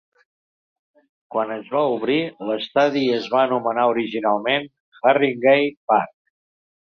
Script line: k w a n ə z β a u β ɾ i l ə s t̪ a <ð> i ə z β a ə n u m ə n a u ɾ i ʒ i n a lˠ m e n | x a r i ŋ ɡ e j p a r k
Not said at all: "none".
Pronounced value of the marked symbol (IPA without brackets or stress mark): ð